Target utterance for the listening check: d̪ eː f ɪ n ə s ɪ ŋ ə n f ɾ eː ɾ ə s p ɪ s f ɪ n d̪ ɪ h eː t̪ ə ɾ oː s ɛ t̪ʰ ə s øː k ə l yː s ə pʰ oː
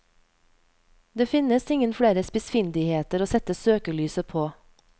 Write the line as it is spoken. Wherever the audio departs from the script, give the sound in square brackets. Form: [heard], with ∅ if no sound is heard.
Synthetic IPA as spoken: d̪ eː f ɪ n ə s ɪ ŋ ə n f [ɽ] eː ɾ ə s p ɪ s f ɪ n d̪ ɪ h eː t̪ ə ɾ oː s ɛ [t̪] ə s øː k ə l yː s ə pʰ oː